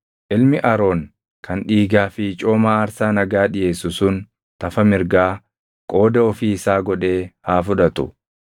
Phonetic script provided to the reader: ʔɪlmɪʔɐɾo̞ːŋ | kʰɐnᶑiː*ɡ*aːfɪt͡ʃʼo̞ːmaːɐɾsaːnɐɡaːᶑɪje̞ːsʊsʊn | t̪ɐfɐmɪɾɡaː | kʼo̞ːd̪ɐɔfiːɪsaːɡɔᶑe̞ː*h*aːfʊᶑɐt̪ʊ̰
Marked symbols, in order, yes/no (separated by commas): yes, yes